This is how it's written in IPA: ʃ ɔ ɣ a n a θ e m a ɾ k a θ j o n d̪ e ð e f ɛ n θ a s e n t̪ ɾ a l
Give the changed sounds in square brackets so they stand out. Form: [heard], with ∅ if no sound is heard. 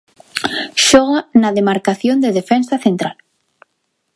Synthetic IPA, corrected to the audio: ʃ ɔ ɣ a n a [ð] e m a ɾ k a θ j o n d̪ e ð e f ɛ n [s] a [θ] e n t̪ ɾ a l